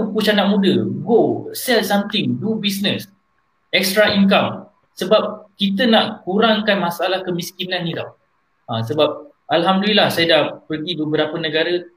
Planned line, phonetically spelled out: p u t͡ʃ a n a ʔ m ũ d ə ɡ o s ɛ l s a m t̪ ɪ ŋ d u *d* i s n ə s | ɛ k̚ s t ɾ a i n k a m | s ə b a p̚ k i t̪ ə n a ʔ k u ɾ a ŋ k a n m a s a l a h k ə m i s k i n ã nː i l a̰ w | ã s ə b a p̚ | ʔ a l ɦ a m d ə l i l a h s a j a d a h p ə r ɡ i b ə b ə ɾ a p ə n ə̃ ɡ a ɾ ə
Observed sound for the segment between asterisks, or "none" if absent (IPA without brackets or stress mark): b